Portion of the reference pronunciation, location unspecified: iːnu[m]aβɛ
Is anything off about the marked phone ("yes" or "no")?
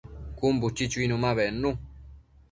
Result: no